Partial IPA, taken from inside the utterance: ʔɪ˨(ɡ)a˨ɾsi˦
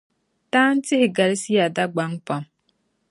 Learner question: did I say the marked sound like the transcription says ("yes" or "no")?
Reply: yes